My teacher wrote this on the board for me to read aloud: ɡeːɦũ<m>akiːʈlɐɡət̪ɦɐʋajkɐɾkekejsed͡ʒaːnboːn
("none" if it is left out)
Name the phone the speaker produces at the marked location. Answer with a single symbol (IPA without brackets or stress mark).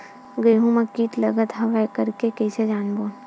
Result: m